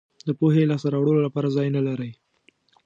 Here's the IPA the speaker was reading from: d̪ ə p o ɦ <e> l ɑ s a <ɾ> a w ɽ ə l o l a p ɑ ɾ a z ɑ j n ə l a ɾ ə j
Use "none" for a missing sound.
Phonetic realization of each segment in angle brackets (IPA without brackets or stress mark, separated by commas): e, ɾ